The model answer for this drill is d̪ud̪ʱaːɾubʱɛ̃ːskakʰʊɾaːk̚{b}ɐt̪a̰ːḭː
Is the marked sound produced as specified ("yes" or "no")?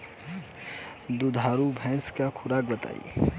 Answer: yes